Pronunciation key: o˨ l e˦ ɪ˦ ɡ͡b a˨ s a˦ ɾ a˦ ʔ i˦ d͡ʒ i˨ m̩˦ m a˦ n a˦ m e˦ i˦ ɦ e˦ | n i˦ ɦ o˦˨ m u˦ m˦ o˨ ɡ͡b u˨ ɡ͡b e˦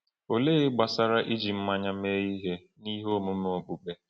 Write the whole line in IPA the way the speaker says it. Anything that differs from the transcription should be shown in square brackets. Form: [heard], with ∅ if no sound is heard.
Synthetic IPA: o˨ l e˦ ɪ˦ ɡ͡b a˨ s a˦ ɾ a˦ ʔ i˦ d͡ʒ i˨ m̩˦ m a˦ [ɲ] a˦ m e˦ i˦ ɦ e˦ | n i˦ ɦ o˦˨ m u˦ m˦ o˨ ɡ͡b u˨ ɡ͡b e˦